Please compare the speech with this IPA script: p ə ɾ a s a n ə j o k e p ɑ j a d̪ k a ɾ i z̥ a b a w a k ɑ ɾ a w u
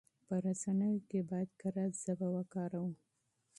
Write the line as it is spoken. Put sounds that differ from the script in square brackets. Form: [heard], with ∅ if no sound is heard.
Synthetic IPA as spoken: p ə ɾ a s a n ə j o k e [b] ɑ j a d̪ k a ɾ [a] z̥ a b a w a k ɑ ɾ a w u